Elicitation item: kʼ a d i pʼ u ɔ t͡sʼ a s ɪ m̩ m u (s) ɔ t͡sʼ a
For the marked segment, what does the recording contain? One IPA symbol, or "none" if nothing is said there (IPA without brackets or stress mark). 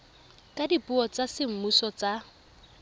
s